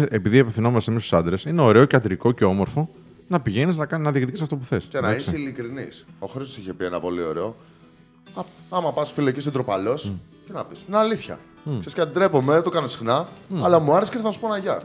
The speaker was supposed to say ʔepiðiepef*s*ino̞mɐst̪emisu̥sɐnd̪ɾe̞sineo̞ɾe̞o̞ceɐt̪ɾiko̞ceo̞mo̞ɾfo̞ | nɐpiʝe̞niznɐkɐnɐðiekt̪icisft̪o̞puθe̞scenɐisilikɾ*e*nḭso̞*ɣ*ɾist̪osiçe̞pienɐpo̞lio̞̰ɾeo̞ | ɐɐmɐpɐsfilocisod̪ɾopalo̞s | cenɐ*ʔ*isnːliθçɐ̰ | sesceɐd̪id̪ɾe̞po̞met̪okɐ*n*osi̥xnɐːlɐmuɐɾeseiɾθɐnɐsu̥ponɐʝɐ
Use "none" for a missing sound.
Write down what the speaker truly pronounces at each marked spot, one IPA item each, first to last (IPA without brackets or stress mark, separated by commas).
θ, i, x, p, n